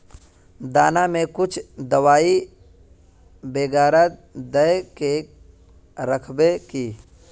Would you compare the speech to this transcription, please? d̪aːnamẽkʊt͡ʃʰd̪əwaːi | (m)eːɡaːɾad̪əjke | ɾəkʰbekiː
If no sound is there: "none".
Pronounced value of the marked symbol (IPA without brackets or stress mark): b